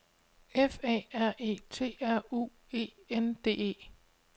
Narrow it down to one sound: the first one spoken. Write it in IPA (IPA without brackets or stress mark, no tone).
e